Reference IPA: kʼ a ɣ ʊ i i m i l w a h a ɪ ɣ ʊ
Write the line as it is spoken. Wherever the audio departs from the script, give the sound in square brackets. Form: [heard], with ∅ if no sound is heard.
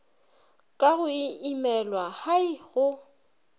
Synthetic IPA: kʼ a ɣ ʊ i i m [ɛ] l w a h a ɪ ɣ ʊ